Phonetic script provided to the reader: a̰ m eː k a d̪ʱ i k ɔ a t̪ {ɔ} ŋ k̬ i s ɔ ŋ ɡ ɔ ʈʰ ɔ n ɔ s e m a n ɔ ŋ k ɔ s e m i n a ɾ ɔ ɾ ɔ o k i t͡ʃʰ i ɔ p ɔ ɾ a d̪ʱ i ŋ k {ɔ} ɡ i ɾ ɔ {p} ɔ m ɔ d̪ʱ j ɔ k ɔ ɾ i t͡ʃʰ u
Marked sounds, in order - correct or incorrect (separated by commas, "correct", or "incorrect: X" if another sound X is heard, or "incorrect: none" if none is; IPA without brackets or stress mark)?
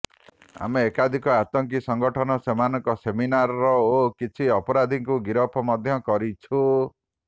correct, incorrect: u, incorrect: pʰ